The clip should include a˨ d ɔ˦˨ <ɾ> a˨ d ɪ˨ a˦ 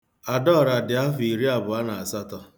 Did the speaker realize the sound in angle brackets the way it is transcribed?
yes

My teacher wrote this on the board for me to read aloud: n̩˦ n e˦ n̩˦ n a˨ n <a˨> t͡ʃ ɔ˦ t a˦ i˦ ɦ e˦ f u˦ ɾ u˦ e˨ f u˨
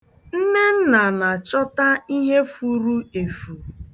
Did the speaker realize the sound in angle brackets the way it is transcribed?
yes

